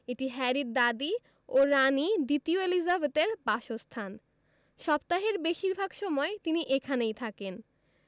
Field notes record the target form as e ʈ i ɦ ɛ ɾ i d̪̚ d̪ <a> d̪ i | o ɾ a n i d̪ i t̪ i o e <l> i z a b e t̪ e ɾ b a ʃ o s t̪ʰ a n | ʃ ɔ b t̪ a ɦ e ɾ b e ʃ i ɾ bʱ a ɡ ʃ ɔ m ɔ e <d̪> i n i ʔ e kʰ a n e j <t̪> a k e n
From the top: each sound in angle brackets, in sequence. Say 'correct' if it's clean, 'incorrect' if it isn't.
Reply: correct, correct, incorrect: t̪, incorrect: t̪ʰ

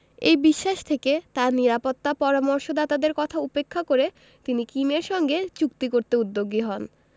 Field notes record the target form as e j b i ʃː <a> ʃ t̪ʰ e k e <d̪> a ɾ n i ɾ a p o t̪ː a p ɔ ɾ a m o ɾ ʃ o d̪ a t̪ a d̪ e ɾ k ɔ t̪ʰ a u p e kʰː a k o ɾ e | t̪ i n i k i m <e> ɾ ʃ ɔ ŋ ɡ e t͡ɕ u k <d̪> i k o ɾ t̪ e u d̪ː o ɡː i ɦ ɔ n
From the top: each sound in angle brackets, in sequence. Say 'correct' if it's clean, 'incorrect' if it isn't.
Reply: correct, incorrect: t̪, correct, incorrect: t̪

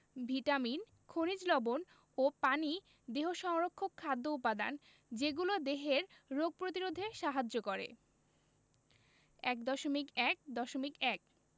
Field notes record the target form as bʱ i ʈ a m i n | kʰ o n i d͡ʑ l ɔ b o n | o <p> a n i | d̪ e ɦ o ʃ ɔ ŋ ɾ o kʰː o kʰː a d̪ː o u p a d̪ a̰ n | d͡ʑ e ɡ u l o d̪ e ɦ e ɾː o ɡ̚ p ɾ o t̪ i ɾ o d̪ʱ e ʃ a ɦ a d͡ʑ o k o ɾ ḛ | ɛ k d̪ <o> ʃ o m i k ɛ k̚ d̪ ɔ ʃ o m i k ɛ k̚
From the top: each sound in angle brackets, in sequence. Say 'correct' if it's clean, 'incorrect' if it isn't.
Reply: correct, incorrect: ɔ

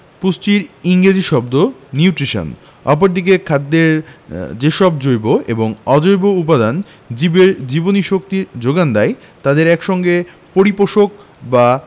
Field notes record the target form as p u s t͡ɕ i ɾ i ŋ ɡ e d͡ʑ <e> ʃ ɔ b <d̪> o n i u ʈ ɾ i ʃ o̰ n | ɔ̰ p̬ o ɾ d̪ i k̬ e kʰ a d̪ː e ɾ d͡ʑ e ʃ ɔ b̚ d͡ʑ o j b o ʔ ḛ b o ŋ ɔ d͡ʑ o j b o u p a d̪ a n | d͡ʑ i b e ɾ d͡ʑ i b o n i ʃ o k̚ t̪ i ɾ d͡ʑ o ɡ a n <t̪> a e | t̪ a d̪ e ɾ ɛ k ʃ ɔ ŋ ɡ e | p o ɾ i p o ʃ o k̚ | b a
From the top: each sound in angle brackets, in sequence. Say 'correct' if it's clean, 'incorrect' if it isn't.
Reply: incorrect: i, correct, incorrect: d̪

